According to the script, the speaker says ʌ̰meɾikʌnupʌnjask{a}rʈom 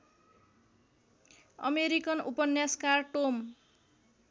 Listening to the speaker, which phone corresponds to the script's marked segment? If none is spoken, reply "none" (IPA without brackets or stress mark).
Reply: a